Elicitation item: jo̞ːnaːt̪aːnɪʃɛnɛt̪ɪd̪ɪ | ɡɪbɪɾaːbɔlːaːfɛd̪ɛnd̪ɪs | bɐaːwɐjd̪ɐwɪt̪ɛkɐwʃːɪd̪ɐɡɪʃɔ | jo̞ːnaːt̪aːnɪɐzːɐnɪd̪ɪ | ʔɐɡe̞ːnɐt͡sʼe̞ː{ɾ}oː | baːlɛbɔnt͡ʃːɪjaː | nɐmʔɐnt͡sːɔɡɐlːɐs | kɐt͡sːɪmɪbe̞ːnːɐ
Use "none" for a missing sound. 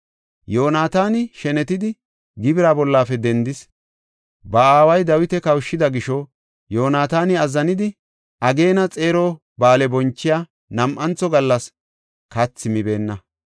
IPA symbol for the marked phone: ɾ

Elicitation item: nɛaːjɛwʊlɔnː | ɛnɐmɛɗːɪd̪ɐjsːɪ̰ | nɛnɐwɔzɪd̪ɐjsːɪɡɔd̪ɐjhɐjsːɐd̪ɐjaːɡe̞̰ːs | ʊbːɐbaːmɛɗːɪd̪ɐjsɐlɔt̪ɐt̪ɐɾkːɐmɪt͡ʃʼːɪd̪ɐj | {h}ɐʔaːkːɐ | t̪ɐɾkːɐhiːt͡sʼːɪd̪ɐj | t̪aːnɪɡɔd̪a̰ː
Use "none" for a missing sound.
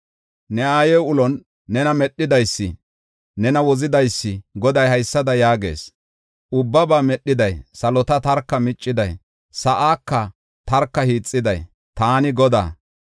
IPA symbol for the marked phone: s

